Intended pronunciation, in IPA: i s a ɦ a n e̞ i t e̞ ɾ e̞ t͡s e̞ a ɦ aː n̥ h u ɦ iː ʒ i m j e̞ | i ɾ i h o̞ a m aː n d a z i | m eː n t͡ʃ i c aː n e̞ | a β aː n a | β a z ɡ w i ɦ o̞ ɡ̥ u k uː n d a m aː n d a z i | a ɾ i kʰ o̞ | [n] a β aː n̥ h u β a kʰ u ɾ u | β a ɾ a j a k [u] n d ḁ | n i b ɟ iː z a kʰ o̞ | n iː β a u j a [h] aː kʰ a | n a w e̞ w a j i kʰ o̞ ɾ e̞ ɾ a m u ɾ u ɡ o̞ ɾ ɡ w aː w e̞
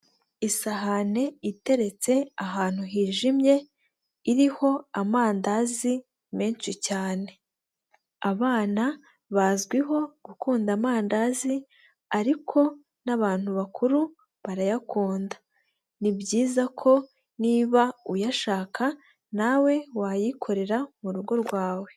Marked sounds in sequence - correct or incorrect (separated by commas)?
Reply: correct, incorrect, incorrect